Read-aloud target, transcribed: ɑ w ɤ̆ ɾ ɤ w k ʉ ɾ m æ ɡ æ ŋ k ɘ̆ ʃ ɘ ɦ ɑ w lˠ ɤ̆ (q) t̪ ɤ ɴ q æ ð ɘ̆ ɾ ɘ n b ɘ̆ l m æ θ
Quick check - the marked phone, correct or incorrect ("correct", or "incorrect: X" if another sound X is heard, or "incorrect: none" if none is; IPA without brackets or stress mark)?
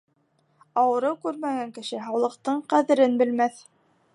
correct